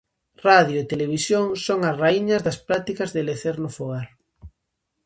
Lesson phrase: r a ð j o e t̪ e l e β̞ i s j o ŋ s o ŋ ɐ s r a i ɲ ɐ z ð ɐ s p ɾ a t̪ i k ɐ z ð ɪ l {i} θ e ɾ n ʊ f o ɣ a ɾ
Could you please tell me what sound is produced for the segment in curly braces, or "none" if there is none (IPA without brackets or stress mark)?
e